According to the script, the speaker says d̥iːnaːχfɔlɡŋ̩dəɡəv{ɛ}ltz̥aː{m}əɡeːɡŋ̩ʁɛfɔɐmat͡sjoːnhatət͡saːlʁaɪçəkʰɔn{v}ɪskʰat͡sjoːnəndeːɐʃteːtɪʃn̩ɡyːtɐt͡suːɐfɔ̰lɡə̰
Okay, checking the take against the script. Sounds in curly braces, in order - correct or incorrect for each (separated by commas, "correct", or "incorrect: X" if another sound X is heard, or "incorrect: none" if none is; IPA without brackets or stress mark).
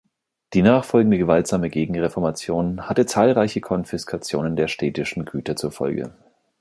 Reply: incorrect: a, correct, incorrect: f